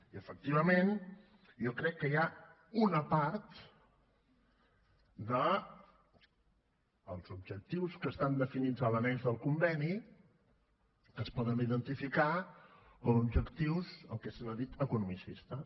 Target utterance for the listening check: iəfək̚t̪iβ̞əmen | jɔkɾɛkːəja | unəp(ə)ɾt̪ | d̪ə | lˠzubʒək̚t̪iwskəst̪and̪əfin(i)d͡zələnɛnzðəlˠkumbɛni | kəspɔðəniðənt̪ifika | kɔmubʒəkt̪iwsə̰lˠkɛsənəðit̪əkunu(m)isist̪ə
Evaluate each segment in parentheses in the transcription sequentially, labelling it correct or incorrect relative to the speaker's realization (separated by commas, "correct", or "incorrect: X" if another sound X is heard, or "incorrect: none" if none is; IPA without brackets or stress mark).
incorrect: a, correct, correct